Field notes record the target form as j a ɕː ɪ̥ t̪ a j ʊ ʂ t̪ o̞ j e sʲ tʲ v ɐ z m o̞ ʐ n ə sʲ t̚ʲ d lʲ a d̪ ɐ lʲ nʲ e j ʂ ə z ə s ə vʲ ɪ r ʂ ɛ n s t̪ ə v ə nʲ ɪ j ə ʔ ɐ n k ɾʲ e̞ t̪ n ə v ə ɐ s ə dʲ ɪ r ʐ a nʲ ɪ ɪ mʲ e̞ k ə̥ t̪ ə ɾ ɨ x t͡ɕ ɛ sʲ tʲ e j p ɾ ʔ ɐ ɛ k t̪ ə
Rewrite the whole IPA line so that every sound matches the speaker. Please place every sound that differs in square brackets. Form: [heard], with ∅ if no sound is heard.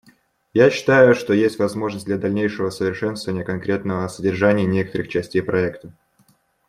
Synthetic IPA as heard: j a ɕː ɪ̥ t̪ a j ʊ ʂ t̪ o̞ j e sʲ tʲ v ɐ z m o̞ ʐ n ə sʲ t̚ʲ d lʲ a d̪ ɐ lʲ nʲ e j ʂ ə [v] ə s ə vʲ ɪ r ʂ ɛ n s t̪ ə v ə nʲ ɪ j ə [k] ɐ n k ɾʲ e̞ t̪ n ə v ə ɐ s ə dʲ ɪ r ʐ a nʲ ɪ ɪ [nʲ] e̞ k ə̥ t̪ ə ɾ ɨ x t͡ɕ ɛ sʲ tʲ e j p ɾ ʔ ɐ ɛ k t̪ ə